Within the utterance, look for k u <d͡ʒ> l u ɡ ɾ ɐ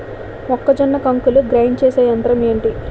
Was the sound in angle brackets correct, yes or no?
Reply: no